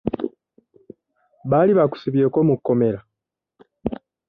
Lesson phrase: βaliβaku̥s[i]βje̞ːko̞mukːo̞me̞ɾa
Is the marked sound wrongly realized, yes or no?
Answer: no